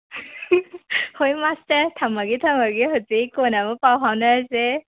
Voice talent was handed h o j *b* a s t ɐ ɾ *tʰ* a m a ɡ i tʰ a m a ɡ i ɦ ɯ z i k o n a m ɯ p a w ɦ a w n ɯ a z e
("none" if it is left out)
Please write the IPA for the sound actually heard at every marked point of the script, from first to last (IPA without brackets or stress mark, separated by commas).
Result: m, tʰ